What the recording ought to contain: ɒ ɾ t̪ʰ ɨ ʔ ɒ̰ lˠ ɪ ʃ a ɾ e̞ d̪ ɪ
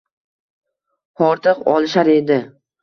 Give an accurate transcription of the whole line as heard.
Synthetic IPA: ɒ ɾ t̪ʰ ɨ q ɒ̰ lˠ ɪ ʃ a ɾ e̞ d̪ ɪ